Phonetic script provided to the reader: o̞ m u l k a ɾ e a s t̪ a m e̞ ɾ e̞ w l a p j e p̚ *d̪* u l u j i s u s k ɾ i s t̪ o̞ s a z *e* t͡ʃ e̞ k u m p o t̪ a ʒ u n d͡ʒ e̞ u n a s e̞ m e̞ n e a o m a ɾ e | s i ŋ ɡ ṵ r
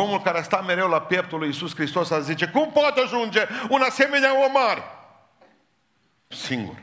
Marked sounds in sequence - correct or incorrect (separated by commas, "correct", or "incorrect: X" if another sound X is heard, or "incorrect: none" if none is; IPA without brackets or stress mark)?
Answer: incorrect: t̪, incorrect: i